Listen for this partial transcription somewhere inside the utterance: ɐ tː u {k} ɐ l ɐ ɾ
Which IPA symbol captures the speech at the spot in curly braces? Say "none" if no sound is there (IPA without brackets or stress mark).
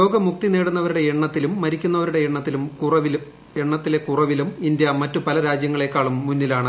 p